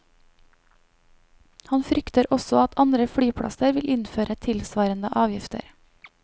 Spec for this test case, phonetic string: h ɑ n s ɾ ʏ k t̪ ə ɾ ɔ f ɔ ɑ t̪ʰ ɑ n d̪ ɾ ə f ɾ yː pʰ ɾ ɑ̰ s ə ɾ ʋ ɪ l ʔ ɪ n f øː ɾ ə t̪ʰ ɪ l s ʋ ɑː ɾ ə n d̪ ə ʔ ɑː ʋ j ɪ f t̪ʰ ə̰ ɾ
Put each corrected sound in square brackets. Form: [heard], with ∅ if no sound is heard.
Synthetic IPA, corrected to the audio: h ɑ n [f] ɾ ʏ k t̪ ə ɾ ɔ [s] ɔ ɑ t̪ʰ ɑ n d̪ ɾ ə f [ɽ] yː pʰ [ɽ] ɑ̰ s ə ɾ ʋ ɪ l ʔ ɪ n f øː ɾ ə t̪ʰ ɪ l s ʋ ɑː ɾ ə n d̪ ə ʔ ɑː ʋ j ɪ f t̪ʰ ə̰ ɾ

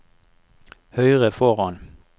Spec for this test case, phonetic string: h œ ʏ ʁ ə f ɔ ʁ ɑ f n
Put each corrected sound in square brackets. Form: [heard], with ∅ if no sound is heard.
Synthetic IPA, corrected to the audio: h œ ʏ ʁ ə f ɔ ʁ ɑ [∅] n

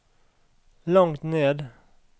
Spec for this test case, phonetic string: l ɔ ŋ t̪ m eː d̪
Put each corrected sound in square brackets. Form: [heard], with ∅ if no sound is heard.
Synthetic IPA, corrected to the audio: l ɔ ŋ t̪ [n] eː d̪

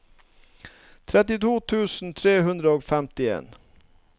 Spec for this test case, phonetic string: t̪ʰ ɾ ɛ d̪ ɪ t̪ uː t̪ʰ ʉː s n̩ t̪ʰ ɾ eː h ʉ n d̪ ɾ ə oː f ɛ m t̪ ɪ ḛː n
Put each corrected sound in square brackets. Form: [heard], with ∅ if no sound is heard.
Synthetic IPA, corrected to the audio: t̪ʰ ɾ ɛ [t̪] ɪ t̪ uː t̪ʰ ʉː s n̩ t̪ʰ ɾ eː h ʉ n d̪ ɾ ə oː f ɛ m t̪ ɪ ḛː n

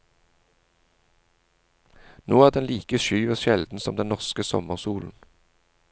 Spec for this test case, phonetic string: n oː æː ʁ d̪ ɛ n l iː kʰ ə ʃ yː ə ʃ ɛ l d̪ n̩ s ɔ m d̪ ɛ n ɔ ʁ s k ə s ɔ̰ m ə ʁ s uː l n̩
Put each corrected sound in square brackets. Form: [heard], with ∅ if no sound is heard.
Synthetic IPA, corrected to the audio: n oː æː ʁ d̪ ɛ n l iː [k] ə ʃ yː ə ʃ ɛ l d̪ n̩ s ɔ m d̪ ɛ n ɔ ʁ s k ə s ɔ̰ m ə ʁ s uː l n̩

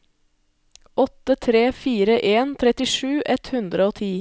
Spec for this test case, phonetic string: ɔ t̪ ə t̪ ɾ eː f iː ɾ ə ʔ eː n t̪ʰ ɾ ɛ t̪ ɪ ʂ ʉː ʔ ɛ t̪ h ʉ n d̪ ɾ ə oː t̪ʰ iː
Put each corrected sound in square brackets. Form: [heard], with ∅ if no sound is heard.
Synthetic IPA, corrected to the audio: ɔ t̪ ə [t̪ʰ] ɾ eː f iː ɾ ə ʔ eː n t̪ʰ ɾ ɛ t̪ ɪ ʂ ʉː ʔ ɛ t̪ h ʉ n d̪ ɾ ə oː t̪ʰ iː

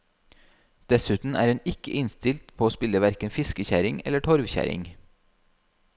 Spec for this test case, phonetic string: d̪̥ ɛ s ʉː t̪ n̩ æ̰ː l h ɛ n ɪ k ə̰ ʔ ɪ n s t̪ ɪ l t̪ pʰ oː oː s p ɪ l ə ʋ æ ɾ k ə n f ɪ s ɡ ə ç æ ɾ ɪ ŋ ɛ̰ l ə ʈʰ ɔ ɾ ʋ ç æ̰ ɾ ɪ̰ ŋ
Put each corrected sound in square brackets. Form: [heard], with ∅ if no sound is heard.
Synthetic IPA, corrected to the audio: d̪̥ ɛ s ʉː t̪ n̩ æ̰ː [ɾ] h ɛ n ɪ k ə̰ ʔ ɪ n s t̪ ɪ l t̪ pʰ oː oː s p ɪ l ə ʋ æ ɾ k ə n f ɪ s [k] ə ç æ ɾ ɪ ŋ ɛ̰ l ə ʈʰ ɔ ɾ ʋ ç æ̰ ɾ ɪ̰ ŋ

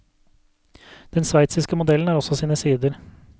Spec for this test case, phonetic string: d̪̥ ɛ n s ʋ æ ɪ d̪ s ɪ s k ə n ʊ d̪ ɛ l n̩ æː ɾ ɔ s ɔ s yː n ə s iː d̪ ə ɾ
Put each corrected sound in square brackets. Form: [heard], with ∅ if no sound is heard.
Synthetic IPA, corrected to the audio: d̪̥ ɛ n s ʋ æ ɪ [t̪] s ɪ s k ə [m] ʊ d̪ ɛ l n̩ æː ɾ ɔ s ɔ s [iː] n ə s iː d̪ ə ɾ

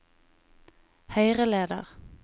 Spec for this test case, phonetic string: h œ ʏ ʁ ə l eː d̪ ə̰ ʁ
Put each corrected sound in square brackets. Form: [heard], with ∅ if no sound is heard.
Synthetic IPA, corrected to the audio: h œ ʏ ʁ ə l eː d̪ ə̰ ʁ

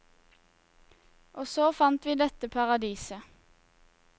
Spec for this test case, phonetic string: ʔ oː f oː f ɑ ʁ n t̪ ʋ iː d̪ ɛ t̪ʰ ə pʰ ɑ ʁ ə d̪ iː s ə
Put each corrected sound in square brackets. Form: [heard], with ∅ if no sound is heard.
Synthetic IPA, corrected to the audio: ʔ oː [s] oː f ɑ [∅] n t̪ ʋ iː d̪ ɛ [t̪] ə pʰ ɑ ʁ [ɑ] d̪ iː s ə

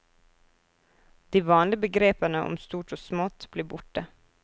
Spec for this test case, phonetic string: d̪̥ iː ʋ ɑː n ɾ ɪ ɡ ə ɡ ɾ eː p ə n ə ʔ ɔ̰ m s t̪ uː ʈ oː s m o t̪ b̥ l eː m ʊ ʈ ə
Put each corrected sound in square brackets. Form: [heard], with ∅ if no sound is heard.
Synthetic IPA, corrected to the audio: d̪̥ iː ʋ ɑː n [l] ɪ [b] ə ɡ ɾ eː p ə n ə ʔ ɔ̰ m s t̪ uː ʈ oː s m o t̪ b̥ l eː [b] ʊ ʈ ə

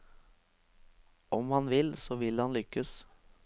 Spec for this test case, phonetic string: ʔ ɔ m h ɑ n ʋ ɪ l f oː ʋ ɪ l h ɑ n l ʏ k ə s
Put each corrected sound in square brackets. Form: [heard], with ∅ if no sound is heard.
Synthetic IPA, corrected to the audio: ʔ ɔ m h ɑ n ʋ ɪ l [s] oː ʋ ɪ l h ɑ n l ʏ k ə s

